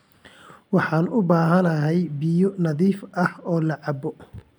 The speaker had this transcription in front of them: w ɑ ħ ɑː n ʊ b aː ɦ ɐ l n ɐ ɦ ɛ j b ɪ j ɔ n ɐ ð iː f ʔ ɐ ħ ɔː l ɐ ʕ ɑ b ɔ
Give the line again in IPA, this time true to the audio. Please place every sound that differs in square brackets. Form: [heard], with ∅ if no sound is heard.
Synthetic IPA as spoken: w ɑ ħ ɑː n ʊ b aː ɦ ɐ [∅] n ɐ ɦ ɛ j b ɪ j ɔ n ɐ ð iː f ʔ ɐ [h] ɔː l ɐ ʕ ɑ b ɔ